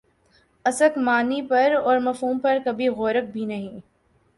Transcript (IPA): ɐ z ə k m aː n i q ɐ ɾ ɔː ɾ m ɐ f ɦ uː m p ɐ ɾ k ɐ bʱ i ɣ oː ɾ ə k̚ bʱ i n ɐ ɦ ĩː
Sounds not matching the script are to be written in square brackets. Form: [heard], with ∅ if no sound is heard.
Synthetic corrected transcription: ɐ [s] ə k m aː n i [p] ɐ ɾ ɔː ɾ m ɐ f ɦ uː m p ɐ ɾ k ɐ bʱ i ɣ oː ɾ ə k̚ bʱ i n ɐ ɦ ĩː